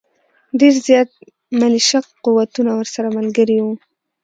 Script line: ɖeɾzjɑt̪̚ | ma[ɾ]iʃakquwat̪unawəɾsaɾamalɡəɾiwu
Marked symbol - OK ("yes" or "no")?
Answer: no